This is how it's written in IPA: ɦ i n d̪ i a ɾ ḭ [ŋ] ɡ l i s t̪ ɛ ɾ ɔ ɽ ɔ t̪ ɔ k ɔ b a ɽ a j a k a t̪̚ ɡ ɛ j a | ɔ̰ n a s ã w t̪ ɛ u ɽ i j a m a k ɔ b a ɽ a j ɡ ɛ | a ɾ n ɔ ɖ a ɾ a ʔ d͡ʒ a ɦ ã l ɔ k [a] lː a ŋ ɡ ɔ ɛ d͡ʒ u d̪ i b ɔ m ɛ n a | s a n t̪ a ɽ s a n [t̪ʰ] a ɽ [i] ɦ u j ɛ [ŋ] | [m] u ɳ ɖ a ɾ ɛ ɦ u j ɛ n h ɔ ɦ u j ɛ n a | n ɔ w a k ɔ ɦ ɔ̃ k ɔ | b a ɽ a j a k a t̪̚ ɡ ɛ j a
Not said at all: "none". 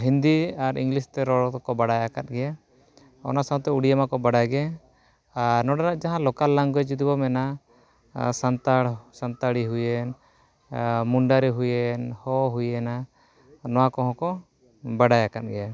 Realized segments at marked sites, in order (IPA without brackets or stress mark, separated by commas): ŋ, a, t̪, i, n, m